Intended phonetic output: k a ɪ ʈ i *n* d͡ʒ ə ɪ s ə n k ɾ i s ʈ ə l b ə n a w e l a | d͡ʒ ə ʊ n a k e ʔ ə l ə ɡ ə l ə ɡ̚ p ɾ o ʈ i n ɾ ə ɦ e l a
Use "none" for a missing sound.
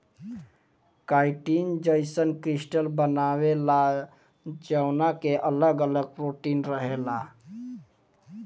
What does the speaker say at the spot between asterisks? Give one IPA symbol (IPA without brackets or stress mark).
n